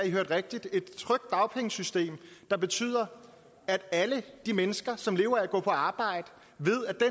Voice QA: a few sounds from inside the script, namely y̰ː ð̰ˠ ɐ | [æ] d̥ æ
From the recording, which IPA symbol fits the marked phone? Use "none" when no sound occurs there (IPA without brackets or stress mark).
æ